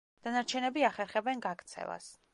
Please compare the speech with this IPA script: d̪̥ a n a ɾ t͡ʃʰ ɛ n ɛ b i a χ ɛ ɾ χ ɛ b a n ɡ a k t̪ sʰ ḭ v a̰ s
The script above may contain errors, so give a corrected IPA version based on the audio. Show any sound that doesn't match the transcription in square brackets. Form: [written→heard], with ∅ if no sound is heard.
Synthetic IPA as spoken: d̪̥ a n a ɾ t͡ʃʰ ɛ n ɛ b i a χ ɛ ɾ χ ɛ b [a→ɛ] n ɡ a k t̪ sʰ [ḭ→ɛ̰] v a̰ s